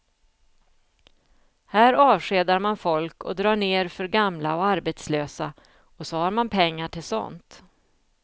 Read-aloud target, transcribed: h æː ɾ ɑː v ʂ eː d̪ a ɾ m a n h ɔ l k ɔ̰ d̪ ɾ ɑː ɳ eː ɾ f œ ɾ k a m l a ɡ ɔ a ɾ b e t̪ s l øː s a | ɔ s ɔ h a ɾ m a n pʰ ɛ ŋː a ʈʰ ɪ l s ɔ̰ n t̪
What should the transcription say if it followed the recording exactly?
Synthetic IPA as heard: h æː ɾ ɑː v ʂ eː d̪ a ɾ m a n f ɔ l k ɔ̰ d̪ ɾ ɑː ɳ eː ɾ f œ ɾ ɡ a m l a ɔ a ɾ b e t̪ s l øː s a | ɔ s ɔ h a ɾ m a n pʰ ɛ ŋː a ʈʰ ɪ l s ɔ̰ n t̪

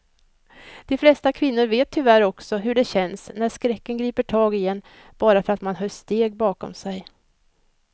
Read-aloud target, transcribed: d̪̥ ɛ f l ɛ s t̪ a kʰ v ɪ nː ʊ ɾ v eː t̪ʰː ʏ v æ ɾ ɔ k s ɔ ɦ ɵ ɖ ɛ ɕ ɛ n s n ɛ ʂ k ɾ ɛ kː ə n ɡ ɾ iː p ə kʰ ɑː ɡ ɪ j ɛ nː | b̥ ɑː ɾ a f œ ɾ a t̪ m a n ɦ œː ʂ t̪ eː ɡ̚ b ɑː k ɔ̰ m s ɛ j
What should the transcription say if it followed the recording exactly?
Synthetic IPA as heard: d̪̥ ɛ f l ɛ s t̪ a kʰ v ɪ nː ʊ ɾ v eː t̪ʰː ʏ v æ ɾ ɔ k s ɔ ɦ ɵ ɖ ɛ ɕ ɛ n s n æ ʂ k ɾ ɛ kː ə n ɡ ɾ iː p ə ʈʰ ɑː ɡ ɪ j ɛ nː | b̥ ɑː ɾ a f œ ɾ a t̪ m a n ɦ œː ʂ t̪ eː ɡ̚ b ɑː k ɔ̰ m s ɛ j

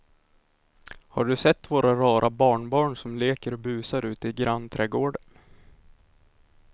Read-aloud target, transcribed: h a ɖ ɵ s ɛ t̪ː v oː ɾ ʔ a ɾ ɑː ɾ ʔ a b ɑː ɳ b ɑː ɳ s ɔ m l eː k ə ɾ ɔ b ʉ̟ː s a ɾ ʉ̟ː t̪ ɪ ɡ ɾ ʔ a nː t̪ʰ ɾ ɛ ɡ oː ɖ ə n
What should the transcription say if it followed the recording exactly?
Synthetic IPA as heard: h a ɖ ɵ s ɛ t̪ː v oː ɾ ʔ a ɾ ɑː ɾ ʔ a b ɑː ɳ b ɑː ɳ s ɔ m l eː k ə ɾ ɔ b ʉ̟ː s a ɾ ʉ̟ː t̪ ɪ ɡ ɾ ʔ a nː t̪ʰ ɾ ɛ ɡ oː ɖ ə n

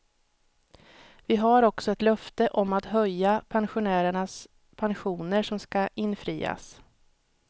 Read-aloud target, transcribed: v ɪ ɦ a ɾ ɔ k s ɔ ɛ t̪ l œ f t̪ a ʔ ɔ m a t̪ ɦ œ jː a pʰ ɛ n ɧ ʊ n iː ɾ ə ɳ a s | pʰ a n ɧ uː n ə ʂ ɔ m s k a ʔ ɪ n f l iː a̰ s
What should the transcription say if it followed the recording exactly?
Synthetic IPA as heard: v ɪ ɦ a ɾ ɔ k s ɔ ɛ t̪ l œ f t̪ ə ʔ ɔ m a t̪ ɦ œ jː a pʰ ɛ n ɧ ʊ n æː ɾ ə ɳ a s | pʰ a n ɧ uː n ə ʂ ɔ m s k a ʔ ɪ n f ɾ iː a̰ s

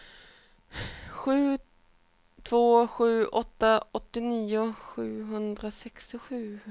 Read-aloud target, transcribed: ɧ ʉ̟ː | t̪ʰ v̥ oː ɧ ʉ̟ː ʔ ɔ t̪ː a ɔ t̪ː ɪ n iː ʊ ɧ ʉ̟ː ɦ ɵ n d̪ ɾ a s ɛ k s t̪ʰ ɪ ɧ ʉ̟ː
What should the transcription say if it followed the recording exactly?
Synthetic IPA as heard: ɧ ʉ̟ː | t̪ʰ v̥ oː ɧ ʉ̟ː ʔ ɔ t̪ː a ɔ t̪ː ɪ n iː ʊ ɧ ʉ̟ː ɦ ɵ n d̪ ɾ a s ɛ k s t̪ ɪ ɧ ʉ̟ː

